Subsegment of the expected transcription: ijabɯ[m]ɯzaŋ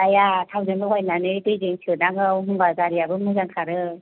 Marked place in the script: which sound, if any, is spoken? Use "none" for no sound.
m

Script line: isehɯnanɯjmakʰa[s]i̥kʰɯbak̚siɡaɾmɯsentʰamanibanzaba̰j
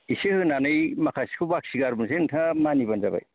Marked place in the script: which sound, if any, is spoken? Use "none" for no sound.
s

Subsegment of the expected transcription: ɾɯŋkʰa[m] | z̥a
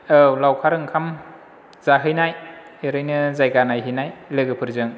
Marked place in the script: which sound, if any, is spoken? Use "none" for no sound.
m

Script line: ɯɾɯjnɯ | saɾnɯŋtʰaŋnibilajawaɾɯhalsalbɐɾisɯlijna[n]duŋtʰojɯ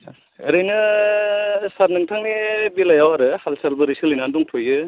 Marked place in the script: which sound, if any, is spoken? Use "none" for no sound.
n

